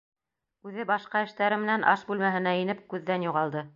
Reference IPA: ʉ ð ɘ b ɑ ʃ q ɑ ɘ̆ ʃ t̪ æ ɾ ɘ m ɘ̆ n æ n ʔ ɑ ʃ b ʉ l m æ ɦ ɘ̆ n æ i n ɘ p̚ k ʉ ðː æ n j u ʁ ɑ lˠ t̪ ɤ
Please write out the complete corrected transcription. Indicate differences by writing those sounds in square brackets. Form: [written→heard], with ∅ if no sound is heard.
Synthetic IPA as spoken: ʉ ð ɘ b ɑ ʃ q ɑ ɘ̆ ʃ t̪ æ ɾ ɘ m ɘ̆ n æ n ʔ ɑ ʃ b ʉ l m æ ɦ ɘ̆ n æ i n ɘ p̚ k ʉ ðː æ n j u ʁ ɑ lˠ [t̪→d̪] ɤ